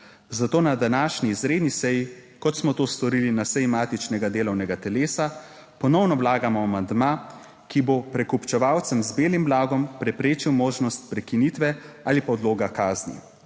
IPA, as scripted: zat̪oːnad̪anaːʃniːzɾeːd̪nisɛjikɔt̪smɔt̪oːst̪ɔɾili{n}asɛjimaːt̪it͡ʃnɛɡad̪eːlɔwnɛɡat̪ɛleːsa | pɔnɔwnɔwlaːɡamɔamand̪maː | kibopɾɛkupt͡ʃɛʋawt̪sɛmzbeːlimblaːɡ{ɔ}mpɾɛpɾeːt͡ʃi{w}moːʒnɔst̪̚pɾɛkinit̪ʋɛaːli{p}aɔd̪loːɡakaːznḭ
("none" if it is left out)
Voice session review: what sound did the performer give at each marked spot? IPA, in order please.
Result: n, ɔ, w, p

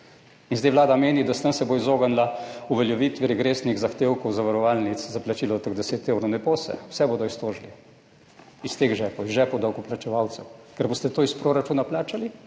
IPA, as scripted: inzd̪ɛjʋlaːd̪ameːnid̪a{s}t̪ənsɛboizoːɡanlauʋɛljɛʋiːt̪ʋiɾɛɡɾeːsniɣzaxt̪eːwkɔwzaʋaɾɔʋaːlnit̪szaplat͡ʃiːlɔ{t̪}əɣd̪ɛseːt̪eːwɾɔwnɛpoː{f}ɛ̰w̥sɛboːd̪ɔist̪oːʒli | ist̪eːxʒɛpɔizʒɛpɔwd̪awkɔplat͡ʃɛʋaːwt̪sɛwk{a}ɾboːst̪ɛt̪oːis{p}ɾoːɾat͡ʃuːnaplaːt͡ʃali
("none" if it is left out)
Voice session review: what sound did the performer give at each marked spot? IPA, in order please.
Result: s, t̪, s, ɛ, p

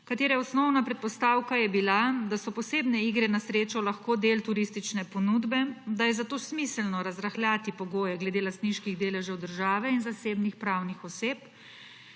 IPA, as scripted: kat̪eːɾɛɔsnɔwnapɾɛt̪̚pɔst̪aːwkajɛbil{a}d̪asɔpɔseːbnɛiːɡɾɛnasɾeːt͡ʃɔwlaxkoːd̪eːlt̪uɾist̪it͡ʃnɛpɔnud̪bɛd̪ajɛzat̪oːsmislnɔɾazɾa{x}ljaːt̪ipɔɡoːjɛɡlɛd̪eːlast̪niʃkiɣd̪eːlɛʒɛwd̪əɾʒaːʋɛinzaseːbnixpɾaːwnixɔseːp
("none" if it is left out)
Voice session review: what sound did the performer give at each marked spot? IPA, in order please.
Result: a, x

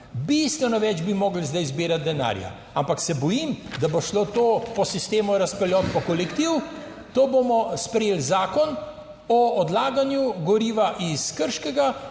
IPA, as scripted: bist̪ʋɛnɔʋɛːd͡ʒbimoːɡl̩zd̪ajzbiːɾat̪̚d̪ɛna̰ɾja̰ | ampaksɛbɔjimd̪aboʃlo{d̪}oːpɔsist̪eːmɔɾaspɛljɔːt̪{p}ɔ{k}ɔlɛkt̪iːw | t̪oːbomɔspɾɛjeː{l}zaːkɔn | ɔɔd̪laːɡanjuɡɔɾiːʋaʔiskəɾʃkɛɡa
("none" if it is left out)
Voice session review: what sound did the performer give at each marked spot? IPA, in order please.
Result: t̪, p, k, l

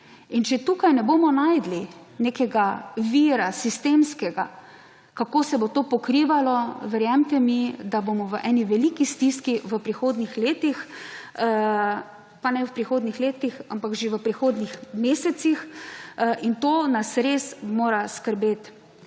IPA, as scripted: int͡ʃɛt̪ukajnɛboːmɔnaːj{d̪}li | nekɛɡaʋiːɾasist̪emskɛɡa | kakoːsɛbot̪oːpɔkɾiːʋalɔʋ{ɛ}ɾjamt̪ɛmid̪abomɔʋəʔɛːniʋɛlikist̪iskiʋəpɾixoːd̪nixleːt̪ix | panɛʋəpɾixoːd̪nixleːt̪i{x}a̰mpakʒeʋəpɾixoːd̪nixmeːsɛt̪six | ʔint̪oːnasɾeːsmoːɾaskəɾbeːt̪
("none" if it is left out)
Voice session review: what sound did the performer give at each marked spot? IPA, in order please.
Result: d̪, ɛ, x

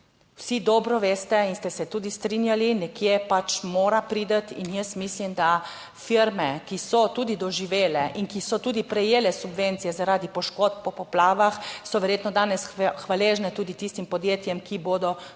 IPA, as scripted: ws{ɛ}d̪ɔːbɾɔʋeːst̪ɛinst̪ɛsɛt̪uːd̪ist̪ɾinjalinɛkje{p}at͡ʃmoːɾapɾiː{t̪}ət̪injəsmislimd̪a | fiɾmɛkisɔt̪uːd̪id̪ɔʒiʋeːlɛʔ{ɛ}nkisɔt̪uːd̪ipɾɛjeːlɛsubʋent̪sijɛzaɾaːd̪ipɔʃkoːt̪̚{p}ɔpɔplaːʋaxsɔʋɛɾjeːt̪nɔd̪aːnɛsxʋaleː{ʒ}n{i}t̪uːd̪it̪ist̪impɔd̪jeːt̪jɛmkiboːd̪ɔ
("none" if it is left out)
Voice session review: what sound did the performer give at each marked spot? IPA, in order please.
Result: i, p, d̪, i, p, ʒ, ɛ

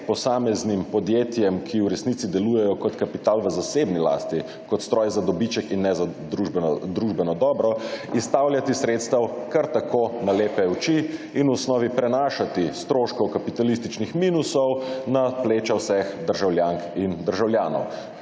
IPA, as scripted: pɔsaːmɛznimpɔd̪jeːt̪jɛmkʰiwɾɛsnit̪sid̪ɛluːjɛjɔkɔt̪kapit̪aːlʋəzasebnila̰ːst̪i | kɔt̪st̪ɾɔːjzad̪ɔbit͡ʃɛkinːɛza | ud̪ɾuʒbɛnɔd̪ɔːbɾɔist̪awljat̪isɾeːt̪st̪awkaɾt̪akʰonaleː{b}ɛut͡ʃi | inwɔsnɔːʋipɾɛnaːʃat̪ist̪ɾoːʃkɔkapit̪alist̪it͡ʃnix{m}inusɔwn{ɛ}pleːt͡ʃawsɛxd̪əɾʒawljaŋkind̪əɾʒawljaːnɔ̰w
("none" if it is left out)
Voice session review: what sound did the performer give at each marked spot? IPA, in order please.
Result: p, m, a

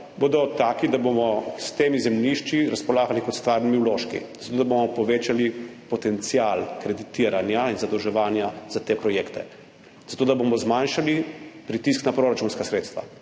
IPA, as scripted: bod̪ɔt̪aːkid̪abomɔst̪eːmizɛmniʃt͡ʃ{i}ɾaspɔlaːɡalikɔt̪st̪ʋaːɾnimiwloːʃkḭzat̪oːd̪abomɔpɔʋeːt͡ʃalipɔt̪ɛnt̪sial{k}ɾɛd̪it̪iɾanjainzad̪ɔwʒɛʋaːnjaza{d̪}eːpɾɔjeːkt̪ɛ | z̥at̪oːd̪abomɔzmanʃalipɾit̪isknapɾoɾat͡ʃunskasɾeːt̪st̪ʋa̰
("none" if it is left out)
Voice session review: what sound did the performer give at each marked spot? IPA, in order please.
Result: i, k, t̪

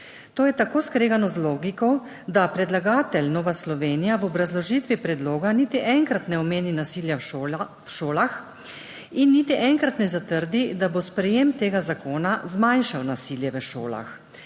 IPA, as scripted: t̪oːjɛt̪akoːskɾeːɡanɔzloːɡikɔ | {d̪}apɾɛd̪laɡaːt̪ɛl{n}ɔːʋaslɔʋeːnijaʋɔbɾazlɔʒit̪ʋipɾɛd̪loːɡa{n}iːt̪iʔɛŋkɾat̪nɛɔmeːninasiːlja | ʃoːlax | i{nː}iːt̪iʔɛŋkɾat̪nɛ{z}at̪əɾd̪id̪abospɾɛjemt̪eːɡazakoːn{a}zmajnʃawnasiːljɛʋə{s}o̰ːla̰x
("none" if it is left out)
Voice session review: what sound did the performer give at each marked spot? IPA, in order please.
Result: d̪, n, n, nː, z, a, ʃ

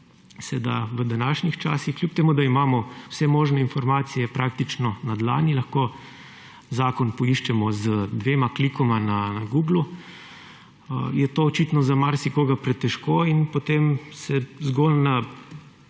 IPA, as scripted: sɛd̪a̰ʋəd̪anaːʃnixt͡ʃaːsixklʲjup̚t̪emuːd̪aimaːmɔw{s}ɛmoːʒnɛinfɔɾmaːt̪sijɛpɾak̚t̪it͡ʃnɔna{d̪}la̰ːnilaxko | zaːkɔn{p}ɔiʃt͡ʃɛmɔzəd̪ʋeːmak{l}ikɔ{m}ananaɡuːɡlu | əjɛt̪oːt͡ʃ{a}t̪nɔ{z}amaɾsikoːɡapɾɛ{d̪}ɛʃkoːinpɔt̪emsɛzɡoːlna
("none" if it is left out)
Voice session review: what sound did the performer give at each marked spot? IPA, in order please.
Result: s, d̪, p, l, m, i, z, t̪

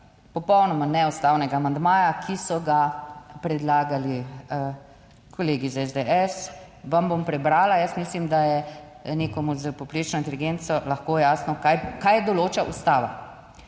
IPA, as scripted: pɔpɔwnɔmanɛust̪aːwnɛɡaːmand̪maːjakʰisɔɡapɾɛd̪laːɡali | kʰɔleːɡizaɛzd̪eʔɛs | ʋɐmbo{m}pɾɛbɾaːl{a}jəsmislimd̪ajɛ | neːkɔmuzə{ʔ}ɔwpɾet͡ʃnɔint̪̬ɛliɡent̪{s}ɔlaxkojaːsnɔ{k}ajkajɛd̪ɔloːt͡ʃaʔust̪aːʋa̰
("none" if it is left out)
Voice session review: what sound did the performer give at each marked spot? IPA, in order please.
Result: m, a, p, s, k

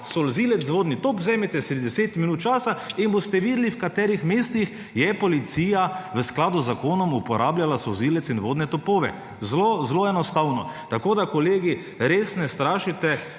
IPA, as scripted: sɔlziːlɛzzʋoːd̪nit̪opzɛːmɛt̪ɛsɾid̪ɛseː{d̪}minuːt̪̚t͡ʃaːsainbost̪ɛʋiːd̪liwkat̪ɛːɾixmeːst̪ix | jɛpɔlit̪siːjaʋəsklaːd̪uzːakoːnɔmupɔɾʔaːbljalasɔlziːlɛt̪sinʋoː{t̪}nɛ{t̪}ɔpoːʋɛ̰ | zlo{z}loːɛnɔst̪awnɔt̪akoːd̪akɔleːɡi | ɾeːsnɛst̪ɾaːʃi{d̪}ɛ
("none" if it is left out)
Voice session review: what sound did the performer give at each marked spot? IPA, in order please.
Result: t̪, d̪, t̪, z, t̪

